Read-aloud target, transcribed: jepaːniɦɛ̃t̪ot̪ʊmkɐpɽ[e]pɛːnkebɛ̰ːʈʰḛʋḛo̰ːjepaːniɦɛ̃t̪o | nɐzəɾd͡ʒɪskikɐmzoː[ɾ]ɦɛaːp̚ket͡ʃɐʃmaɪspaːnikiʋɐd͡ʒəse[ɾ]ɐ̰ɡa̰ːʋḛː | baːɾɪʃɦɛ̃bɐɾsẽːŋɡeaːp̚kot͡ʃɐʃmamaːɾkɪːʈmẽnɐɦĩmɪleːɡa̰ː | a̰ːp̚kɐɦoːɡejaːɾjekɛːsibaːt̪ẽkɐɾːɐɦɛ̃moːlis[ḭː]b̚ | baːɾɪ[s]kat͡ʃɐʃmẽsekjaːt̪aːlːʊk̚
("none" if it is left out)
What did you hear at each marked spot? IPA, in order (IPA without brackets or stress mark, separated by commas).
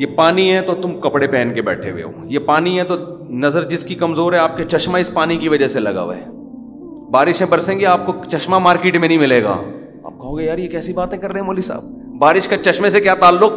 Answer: e, ɾ, l, a̰ː, ʃ